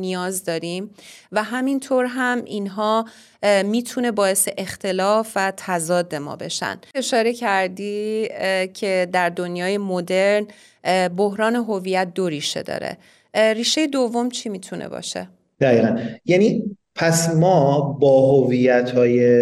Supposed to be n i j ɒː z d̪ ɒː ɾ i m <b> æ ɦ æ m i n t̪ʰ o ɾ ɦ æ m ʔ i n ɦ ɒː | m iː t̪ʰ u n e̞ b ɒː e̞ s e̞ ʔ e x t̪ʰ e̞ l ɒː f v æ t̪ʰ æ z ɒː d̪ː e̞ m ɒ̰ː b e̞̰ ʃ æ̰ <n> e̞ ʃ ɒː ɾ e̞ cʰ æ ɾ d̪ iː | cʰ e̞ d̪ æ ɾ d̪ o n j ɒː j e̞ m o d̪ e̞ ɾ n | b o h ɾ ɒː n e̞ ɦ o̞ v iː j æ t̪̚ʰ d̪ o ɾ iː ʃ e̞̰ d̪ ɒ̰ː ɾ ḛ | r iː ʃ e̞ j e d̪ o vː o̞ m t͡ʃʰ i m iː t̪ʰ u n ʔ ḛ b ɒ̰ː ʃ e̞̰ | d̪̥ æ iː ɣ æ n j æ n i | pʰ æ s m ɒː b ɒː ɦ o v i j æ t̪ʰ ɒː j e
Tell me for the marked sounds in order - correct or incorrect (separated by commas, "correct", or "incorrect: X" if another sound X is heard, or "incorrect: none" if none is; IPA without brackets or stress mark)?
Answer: incorrect: v, correct